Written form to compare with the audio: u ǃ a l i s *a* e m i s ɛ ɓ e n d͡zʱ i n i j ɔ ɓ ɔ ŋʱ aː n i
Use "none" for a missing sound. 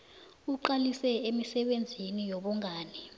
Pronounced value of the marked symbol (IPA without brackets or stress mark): ɛ